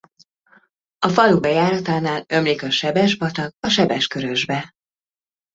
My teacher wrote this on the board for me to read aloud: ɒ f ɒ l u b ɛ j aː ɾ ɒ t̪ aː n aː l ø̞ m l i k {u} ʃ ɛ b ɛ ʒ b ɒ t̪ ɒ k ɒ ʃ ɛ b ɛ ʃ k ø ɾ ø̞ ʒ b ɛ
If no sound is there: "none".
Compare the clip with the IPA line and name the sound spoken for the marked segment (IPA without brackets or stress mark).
ɒ